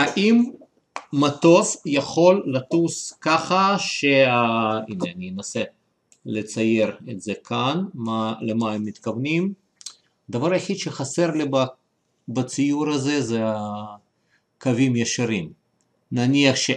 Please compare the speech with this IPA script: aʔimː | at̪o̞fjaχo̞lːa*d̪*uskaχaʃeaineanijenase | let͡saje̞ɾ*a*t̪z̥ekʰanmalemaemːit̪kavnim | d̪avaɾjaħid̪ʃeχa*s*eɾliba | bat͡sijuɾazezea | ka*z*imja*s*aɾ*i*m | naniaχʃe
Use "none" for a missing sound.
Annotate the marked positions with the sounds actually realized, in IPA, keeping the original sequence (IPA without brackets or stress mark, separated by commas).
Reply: t̪, e, s, v, ʃ, i